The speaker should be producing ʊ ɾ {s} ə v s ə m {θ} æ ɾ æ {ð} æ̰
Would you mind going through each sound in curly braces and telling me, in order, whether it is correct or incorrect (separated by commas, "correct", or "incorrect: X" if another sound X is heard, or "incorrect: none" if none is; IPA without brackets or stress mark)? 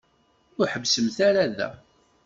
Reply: incorrect: ħ, correct, correct